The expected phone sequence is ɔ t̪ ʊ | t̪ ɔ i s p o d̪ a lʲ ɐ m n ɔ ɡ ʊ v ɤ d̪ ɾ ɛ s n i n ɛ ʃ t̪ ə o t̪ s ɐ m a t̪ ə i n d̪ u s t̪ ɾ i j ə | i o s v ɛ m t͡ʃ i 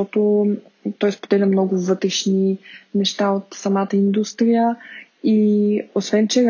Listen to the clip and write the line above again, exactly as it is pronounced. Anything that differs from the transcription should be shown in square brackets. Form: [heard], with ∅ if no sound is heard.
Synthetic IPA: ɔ t̪ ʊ | t̪ ɔ [j] s p o d̪ [ɛ] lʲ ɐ m n ɔ ɡ ʊ v ɤ [t̪] ɾ ɛ [ʃ] n i n ɛ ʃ t̪ [a] o t̪ s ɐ m a t̪ ə i n d̪ u s t̪ ɾ i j ə | i o s v ɛ [n] t͡ʃ [ɛ]